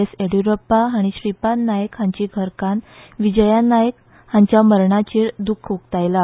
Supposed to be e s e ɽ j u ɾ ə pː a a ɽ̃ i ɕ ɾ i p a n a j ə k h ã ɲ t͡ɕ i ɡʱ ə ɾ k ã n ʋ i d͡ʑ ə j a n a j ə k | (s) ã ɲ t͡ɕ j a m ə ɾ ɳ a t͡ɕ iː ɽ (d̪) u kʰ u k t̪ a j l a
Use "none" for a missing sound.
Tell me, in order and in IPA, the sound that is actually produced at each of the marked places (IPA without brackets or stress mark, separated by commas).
h, d̪